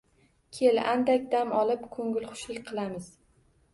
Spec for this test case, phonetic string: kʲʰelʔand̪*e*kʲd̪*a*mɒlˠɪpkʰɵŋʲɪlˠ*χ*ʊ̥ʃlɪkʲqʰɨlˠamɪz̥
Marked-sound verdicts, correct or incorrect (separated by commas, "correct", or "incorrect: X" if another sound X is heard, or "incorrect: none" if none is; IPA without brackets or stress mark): incorrect: a, correct, correct